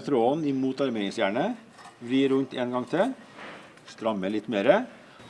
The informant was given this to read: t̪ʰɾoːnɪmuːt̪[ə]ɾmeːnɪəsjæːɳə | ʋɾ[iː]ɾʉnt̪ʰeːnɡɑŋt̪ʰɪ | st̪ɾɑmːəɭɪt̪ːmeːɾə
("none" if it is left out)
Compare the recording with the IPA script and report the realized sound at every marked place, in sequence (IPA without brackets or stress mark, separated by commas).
ɑ, iː